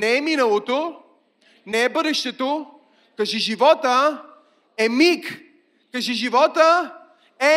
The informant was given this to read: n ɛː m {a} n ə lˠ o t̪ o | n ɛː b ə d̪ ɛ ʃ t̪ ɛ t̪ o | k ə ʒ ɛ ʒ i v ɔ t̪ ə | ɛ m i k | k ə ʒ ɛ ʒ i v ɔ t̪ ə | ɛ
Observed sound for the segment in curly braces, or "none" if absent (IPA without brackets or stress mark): i